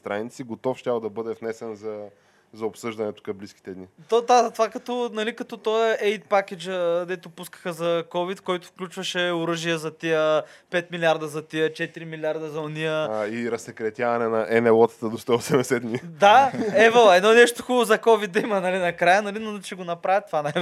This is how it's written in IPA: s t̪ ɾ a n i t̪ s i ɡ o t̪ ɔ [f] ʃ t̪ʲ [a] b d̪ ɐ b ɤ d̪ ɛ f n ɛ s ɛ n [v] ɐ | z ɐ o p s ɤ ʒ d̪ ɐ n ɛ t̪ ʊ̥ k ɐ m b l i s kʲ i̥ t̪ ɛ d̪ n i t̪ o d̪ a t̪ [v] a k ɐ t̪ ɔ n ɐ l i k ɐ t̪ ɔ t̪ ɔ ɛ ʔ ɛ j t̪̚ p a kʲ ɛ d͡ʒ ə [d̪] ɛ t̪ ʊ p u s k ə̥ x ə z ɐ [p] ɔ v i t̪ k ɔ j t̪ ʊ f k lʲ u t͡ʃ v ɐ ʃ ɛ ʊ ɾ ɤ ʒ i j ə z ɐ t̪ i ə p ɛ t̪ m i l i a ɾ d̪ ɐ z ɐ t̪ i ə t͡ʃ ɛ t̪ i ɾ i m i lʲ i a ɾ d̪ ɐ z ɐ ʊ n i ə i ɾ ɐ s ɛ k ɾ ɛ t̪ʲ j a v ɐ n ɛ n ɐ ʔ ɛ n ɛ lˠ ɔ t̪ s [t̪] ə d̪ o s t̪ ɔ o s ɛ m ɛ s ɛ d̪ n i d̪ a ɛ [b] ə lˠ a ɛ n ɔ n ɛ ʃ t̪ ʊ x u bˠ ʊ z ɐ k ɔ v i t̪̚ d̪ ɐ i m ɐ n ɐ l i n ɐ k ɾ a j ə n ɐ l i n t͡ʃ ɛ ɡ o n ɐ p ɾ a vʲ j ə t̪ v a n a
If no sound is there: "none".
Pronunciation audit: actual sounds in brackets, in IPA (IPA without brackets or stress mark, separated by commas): f, a, z, v, d̪, k, t̪, v